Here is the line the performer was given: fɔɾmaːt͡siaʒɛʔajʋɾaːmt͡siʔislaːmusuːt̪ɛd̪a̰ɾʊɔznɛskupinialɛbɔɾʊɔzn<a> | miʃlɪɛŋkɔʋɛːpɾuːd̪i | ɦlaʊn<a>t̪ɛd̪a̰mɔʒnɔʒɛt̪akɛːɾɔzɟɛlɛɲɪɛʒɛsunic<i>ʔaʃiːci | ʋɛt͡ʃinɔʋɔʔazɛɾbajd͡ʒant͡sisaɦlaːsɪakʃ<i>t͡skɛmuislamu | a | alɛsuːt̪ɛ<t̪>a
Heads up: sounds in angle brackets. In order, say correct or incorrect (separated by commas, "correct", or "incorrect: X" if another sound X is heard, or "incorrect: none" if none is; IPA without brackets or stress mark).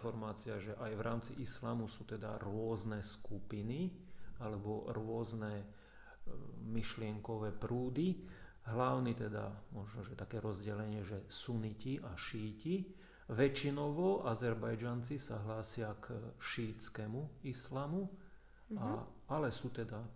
incorrect: ɛ, incorrect: i, correct, incorrect: iː, incorrect: d̪